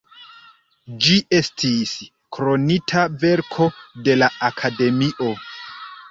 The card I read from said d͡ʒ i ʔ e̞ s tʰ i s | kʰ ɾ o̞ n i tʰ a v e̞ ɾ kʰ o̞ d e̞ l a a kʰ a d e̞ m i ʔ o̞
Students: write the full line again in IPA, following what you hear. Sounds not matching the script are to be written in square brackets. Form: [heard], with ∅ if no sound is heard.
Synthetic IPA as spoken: d͡ʒ i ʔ e̞ s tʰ i s | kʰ ɾ o̞ n i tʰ a v e̞ ɾ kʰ o̞ d e̞ l a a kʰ a d e̞ m i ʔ o̞